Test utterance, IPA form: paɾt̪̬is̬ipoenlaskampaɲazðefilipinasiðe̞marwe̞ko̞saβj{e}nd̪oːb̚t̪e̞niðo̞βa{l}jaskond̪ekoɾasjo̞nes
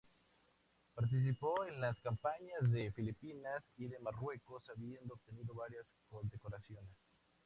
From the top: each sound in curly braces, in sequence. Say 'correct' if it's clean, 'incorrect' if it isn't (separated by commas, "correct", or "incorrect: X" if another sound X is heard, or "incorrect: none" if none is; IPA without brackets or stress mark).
correct, incorrect: ɾ